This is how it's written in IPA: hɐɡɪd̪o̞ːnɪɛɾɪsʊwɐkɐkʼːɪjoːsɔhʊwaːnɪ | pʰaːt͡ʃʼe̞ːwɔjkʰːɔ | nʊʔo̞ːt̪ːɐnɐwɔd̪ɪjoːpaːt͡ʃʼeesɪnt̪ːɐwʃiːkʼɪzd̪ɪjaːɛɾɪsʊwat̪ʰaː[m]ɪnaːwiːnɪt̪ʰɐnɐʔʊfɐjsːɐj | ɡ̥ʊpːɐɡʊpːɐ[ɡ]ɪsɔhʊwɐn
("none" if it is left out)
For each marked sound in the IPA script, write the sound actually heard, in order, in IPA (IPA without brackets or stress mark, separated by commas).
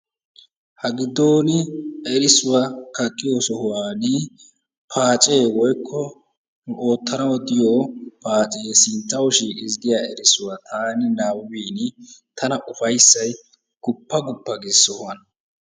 n, ɡ